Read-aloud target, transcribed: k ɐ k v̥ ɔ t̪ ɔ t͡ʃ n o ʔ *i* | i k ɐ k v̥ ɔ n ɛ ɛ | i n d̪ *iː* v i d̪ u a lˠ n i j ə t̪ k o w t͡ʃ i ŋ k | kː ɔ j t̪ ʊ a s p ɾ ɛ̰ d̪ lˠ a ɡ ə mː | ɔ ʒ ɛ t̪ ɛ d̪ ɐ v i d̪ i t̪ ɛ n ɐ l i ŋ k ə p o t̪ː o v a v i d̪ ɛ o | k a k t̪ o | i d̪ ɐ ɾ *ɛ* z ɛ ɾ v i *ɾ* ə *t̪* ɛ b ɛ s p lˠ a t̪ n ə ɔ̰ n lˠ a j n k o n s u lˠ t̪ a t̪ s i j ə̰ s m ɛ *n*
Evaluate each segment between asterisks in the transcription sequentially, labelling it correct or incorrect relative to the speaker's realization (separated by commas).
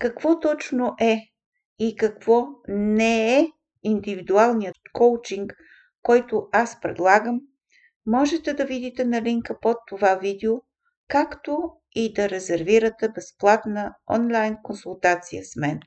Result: incorrect, incorrect, correct, correct, correct, correct